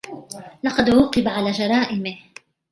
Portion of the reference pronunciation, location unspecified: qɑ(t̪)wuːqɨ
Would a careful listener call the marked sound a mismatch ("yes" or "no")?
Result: yes